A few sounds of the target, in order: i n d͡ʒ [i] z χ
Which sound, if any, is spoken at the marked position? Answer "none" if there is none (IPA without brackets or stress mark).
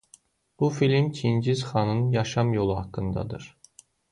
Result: i